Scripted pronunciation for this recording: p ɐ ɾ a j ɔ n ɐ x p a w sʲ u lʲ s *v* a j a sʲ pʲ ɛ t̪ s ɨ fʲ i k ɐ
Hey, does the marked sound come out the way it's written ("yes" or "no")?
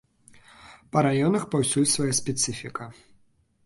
yes